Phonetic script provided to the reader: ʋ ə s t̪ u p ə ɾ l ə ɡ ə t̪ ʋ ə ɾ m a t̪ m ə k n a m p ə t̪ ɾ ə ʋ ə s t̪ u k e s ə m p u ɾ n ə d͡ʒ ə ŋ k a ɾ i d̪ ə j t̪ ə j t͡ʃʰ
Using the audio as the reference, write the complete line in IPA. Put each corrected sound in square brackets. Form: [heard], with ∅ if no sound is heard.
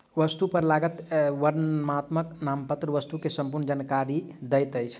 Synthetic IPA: ʋ ə s t̪ u p ə ɾ l [a] ɡ ə t̪ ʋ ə ɾ m a t̪ m ə k n a m p ə t̪ ɾ ə ʋ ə s t̪ u k e s ə m p u ɾ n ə d͡ʒ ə [n] k a ɾ i d̪ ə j t̪ ə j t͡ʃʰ